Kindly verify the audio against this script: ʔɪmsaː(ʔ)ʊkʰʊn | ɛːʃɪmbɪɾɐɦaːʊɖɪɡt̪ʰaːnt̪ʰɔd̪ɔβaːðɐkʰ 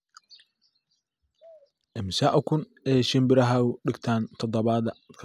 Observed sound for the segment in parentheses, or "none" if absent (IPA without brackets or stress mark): ʔ